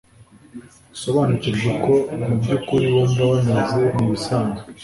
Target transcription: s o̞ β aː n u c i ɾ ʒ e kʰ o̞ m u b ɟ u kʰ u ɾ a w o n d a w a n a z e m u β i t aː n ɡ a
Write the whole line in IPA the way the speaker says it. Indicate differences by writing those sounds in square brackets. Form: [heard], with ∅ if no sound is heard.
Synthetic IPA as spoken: s o̞ β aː n u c i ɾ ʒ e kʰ o̞ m u b ɟ u [k] u ɾ [i] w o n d a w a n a z e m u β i [s] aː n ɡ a